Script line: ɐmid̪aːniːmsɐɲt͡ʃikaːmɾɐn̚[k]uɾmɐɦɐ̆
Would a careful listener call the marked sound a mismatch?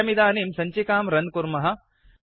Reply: no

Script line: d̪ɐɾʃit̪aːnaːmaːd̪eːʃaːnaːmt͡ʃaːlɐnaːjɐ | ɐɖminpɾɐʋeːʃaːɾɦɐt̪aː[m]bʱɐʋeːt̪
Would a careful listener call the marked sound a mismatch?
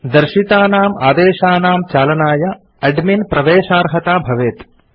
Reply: yes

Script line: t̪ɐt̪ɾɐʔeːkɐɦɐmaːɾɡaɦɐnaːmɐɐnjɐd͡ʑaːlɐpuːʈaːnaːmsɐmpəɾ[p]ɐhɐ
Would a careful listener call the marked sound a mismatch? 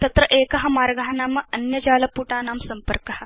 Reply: yes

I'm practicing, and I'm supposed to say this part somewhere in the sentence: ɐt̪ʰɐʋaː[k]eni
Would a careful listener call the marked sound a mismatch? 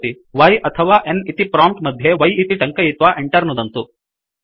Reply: yes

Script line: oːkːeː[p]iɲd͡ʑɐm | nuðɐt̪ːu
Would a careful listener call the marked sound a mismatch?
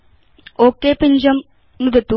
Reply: no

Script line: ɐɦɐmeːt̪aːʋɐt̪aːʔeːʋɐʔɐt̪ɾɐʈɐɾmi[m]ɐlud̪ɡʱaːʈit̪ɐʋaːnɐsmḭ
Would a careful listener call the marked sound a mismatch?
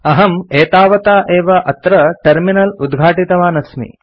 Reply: yes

